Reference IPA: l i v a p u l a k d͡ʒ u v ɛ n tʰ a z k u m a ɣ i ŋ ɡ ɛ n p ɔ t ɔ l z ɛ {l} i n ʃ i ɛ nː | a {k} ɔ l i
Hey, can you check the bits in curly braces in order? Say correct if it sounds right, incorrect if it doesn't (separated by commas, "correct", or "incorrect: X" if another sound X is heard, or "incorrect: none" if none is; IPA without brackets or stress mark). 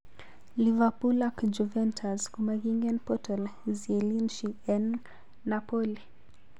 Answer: correct, incorrect: p